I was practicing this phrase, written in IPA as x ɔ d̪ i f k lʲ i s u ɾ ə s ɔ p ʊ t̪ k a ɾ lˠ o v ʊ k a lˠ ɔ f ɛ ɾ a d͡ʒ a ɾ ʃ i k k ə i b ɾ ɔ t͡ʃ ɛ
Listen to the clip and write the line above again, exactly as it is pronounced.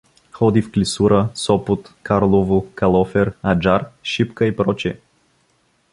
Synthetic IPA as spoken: x ɔ d̪ i f k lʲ i s u ɾ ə s ɔ p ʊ t̪ k a ɾ lˠ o v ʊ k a lˠ ɔ f ɛ ɾ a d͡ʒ a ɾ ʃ i p k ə i p ɾ ɔ t͡ʃ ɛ